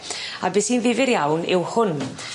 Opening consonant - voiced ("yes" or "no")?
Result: yes